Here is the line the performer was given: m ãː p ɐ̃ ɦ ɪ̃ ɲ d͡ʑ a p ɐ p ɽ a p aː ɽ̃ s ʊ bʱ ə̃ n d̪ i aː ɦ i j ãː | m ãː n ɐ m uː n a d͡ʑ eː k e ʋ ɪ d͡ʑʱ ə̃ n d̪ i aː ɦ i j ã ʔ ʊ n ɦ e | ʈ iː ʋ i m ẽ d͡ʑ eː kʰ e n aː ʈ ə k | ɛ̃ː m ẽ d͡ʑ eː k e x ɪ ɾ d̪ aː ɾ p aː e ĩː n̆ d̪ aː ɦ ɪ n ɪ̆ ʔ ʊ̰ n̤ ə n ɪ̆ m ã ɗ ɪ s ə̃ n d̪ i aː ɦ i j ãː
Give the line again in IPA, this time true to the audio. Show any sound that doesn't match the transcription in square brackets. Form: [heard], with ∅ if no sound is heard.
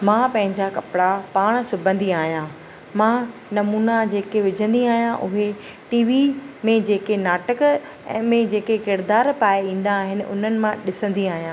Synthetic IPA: m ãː p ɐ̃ ɦ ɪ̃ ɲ d͡ʑ a [k] ɐ p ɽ a p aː ɽ̃ s ʊ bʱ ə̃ n d̪ i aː ɦ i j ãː | m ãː n ɐ m uː n a d͡ʑ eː k e ʋ ɪ d͡ʑʱ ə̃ n d̪ i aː ɦ i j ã ʔ ʊ [∅] ɦ e | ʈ iː ʋ i m ẽ d͡ʑ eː [k] e n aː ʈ ə k | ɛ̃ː m ẽ d͡ʑ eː k e [k] ɪ ɾ d̪ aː ɾ p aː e ĩː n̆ d̪ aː ɦ ɪ n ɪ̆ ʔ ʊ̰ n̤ ə n ɪ̆ m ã ɗ ɪ s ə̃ n d̪ i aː ɦ i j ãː

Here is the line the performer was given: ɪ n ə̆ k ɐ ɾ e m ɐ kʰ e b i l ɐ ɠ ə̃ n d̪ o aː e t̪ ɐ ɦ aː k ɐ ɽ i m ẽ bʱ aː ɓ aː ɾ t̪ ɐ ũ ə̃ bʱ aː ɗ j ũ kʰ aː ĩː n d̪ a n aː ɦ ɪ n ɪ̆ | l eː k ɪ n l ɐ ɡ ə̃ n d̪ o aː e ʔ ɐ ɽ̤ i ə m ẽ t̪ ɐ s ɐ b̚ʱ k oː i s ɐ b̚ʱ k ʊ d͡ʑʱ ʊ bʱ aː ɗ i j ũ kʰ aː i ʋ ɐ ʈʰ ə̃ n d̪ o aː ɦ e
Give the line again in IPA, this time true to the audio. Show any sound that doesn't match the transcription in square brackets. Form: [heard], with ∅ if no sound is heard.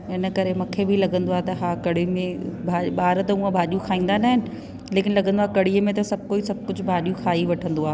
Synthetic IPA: ɪ n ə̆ k ɐ ɾ e m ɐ kʰ e b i l ɐ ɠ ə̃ n d̪ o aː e t̪ ɐ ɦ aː k ɐ ɽ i m ẽ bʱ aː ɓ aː ɾ t̪ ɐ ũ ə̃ bʱ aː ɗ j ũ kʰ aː ĩː n d̪ a n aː ɦ ɪ n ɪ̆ | l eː k ɪ n l ɐ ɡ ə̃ n d̪ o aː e [k] ɐ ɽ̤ i ə m ẽ t̪ ɐ s ɐ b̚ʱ k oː i s ɐ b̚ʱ k ʊ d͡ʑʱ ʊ bʱ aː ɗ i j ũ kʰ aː i ʋ ɐ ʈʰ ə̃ n d̪ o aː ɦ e

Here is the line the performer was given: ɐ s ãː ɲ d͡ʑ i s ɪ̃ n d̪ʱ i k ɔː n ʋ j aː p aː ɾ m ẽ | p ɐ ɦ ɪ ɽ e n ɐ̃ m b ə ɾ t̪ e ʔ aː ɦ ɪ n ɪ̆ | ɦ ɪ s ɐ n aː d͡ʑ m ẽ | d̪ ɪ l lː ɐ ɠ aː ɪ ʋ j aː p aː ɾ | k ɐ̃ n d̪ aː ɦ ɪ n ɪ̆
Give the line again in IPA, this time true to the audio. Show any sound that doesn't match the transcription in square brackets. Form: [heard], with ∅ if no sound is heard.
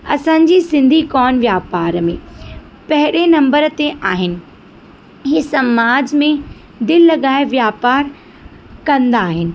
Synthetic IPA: ɐ s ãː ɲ d͡ʑ i s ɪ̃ n d̪ʱ i k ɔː n ʋ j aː p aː ɾ m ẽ | p ɐ ɦ ɪ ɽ e n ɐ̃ m b ə ɾ t̪ e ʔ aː ɦ ɪ n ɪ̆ | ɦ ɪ s ɐ [m] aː d͡ʑ m ẽ | d̪ ɪ l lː ɐ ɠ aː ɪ ʋ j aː p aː ɾ | k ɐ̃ n d̪ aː ɦ ɪ n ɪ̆

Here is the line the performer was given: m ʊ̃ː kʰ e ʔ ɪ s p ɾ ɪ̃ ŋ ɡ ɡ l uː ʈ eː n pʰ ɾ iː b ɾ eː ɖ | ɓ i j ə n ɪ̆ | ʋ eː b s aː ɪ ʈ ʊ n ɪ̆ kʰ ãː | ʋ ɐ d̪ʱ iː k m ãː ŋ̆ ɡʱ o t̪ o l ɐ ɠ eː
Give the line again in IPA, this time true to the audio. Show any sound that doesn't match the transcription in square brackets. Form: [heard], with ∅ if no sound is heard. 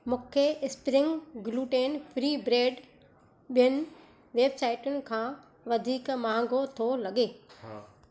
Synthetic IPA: m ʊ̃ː kʰ e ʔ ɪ s p ɾ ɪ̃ ŋ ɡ ɡ l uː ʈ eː n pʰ ɾ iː b ɾ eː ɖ | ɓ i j ə n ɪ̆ | ʋ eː b s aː ɪ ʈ ʊ n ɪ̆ kʰ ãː | ʋ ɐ d̪ʱ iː k m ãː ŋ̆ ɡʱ o [t̪ʰ] o l ɐ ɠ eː

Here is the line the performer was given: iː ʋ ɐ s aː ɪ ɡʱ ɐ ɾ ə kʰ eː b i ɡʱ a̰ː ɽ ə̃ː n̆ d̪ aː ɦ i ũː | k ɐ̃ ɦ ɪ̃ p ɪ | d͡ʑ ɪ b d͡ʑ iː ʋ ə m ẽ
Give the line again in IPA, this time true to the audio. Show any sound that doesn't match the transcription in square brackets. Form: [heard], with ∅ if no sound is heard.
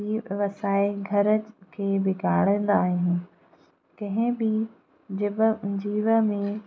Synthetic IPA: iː ʋ ɐ s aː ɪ ɡʱ ɐ ɾ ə kʰ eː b [ɪ] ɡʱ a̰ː ɽ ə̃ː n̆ d̪ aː ɦ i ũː | k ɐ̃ ɦ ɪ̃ [b] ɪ | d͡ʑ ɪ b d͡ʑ iː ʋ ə m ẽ

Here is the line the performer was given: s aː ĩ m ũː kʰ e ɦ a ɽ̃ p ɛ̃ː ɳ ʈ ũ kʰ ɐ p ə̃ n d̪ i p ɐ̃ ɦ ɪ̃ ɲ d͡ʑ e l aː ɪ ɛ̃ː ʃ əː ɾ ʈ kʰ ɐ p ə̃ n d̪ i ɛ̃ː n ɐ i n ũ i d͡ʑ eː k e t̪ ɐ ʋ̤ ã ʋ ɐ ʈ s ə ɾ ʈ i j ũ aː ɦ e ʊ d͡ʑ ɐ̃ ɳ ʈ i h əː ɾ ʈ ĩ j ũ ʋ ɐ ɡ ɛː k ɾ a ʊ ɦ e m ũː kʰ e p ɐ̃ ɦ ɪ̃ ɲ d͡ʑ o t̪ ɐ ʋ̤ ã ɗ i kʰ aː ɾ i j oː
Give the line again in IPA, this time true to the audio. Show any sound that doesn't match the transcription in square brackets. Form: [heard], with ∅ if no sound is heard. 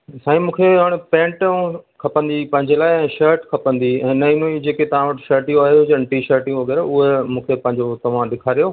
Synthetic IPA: s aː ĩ m ũː kʰ e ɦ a ɽ̃ p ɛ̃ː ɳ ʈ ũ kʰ ɐ p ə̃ n d̪ i p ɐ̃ ɦ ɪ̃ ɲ d͡ʑ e l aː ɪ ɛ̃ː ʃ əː ɾ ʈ kʰ ɐ p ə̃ n d̪ i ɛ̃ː n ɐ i n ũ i d͡ʑ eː k e t̪ ɐ ʋ̤ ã ʋ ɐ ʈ [ʃ] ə ɾ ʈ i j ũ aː ɦ e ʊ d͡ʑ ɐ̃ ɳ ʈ i [ʃ] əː ɾ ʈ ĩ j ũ ʋ ɐ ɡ ɛː [∅] ɾ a ʊ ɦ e m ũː kʰ e p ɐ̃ ɦ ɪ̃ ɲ d͡ʑ o t̪ ɐ ʋ̤ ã ɗ [ɪ] kʰ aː ɾ i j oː

